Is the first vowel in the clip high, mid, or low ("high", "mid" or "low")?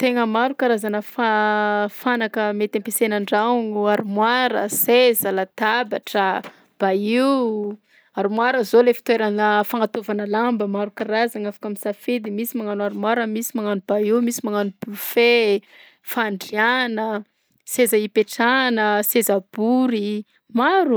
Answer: mid